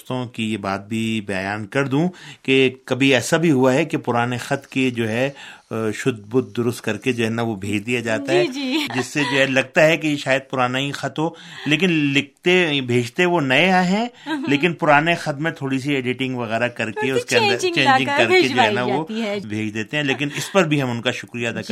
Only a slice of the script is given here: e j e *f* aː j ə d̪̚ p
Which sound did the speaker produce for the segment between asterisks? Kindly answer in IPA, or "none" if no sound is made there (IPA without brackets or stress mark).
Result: ʃ